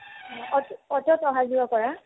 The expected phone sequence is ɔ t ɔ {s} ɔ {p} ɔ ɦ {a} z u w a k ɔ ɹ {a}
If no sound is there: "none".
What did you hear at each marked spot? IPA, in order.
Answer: t, t, a, a

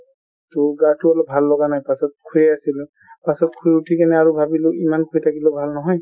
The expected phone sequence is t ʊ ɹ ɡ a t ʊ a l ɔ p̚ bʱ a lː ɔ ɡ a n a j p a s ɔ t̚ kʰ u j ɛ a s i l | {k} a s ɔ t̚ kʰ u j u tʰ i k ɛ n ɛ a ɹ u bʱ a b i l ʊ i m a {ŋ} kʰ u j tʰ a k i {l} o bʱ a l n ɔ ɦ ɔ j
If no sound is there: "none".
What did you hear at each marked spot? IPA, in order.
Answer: p, n, l

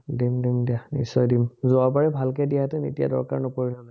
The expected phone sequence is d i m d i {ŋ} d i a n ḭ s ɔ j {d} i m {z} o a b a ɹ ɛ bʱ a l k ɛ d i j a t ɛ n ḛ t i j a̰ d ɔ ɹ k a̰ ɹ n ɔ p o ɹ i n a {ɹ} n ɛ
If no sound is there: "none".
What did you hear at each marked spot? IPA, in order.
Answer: m, d, z, none

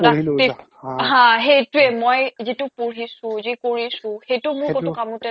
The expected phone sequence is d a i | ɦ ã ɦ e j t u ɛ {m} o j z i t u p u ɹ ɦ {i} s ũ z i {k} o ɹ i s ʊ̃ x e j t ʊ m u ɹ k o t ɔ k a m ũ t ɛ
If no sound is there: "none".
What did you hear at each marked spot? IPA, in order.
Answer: m, i, k

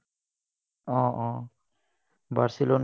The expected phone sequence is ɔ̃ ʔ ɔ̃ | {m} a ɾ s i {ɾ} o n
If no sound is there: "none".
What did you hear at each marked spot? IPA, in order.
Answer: b, l

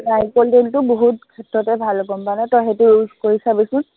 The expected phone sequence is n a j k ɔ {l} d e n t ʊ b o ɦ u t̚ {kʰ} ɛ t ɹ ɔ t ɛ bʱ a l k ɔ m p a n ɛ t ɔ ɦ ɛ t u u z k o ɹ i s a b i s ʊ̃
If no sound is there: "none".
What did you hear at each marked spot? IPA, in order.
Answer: l, kʰ

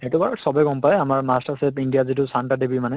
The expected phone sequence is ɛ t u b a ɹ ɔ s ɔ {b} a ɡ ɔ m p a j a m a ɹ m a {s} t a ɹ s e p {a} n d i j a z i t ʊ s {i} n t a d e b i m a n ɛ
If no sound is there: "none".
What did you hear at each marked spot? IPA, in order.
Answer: b, s, i, a

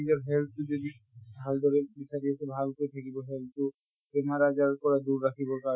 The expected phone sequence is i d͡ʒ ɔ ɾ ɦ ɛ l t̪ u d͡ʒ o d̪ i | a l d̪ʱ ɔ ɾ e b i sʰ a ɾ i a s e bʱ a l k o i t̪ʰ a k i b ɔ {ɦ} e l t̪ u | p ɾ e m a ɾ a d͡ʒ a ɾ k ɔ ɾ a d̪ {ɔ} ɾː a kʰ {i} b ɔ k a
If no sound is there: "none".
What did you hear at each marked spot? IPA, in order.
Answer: ɦ, u, i

